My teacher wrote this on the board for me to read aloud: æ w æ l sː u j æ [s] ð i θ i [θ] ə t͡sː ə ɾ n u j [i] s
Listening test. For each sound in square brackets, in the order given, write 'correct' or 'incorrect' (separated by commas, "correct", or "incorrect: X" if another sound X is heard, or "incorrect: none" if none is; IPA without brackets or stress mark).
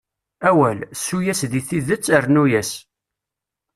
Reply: correct, incorrect: ð, incorrect: æ